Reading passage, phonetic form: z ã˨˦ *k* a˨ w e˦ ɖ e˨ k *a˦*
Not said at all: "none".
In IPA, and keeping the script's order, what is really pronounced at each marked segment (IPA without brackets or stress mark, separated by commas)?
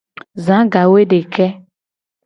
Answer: ɡ, ɛ˦